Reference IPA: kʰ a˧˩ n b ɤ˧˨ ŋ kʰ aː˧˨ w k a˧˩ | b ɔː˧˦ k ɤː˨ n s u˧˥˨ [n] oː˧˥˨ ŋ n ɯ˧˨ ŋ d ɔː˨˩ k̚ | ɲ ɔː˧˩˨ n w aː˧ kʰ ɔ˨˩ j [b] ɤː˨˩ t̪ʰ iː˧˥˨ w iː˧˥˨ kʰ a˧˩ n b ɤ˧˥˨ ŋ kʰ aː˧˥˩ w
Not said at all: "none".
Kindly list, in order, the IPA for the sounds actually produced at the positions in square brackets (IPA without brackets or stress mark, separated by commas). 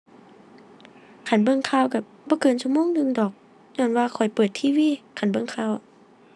m, p